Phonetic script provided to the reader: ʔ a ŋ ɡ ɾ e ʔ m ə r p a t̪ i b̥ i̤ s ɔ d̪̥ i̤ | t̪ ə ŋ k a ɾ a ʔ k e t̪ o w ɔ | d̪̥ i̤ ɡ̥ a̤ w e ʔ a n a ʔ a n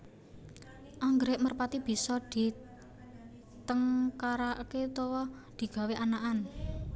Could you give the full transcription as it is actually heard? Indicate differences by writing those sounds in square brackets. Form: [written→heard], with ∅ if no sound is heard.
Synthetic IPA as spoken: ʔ a ŋ ɡ ɾ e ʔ m ə r p a t̪ i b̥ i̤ s ɔ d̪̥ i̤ | t̪ ə ŋ k a ɾ a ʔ k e t̪ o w ɔ | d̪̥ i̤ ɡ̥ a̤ w e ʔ a n a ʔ a n